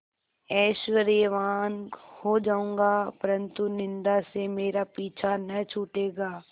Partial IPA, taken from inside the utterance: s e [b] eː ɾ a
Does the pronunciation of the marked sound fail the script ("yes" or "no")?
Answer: yes